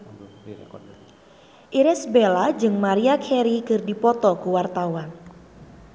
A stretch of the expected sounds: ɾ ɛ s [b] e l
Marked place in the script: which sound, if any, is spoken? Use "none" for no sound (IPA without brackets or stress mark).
b